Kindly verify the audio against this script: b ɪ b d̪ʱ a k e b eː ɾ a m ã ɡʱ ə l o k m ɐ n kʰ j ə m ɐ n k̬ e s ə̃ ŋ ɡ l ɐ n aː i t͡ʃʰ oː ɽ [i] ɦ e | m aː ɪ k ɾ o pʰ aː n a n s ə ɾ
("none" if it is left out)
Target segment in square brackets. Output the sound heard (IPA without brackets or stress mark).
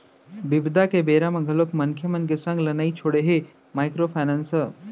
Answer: e